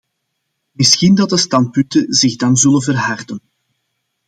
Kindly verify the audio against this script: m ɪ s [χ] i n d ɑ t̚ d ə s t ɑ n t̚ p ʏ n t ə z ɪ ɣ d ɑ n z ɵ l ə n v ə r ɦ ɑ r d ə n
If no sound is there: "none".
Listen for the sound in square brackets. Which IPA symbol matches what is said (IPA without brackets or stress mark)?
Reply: x